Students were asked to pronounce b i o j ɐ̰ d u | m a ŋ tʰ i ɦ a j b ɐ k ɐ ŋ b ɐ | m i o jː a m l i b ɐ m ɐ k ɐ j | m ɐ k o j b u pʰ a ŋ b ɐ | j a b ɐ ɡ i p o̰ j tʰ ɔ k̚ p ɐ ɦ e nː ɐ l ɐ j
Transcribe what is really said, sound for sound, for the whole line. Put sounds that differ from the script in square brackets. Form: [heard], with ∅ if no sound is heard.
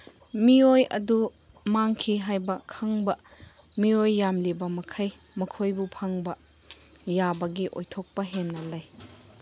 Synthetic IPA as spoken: [m] i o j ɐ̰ d u | m a ŋ [kʰ] i ɦ a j b ɐ [kʰ] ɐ ŋ b ɐ | m i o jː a m l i b ɐ m ɐ [kʰ] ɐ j | m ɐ [kʰ] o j b u pʰ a ŋ b ɐ | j a b ɐ ɡ i [ʔ] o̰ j tʰ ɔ k̚ p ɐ ɦ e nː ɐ l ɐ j